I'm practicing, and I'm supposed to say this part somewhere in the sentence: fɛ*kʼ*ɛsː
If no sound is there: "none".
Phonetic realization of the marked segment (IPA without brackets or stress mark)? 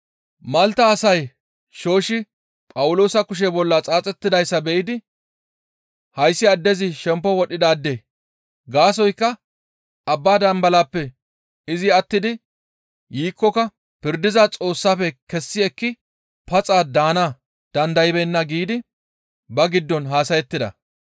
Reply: k